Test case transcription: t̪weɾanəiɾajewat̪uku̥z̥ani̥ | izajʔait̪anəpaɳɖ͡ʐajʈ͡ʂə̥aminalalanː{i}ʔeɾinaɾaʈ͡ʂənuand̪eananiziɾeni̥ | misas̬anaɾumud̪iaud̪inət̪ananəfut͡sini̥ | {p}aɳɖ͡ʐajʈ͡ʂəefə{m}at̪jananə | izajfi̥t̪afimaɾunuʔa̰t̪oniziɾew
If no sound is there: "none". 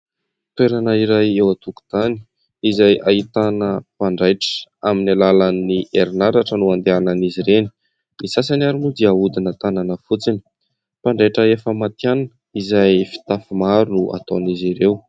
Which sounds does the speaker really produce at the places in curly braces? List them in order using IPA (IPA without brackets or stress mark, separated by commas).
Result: i, p, m